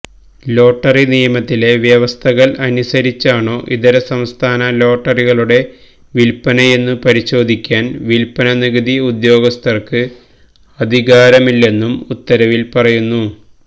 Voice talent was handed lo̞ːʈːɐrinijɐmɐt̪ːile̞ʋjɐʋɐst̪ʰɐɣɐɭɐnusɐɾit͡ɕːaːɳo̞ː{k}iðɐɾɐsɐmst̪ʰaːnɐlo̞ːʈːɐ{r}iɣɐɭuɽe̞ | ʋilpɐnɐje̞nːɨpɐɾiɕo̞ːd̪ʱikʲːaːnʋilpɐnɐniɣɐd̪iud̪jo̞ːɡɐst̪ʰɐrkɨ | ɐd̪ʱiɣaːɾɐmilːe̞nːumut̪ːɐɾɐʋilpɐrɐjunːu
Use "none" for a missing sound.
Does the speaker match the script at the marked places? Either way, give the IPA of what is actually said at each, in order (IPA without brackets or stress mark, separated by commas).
ʔ, r